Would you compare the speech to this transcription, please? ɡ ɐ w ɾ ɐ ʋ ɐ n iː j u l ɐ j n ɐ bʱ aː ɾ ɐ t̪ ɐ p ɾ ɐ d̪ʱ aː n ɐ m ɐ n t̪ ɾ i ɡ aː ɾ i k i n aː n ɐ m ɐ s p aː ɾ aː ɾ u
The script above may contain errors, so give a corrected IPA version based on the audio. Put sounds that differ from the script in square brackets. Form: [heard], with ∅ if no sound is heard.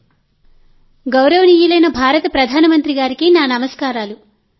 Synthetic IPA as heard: ɡ ɐ w ɾ ɐ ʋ ɐ n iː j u l ɐ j n ɐ bʱ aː ɾ ɐ t̪ ɐ p ɾ ɐ d̪ʱ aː n ɐ m ɐ n t̪ ɾ i ɡ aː ɾ i k i n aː n ɐ m ɐ s [k] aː ɾ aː [l] u